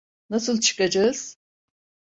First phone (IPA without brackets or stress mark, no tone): n